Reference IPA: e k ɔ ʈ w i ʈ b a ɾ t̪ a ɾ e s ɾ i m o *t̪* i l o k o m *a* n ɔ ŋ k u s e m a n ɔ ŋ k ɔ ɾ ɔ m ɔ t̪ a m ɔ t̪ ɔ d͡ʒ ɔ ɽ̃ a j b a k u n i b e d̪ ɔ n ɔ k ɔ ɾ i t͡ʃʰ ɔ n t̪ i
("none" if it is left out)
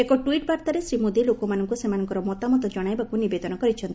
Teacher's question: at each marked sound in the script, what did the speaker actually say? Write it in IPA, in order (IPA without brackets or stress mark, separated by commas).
d̪, a